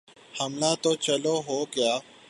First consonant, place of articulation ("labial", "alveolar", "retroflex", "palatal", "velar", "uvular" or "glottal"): glottal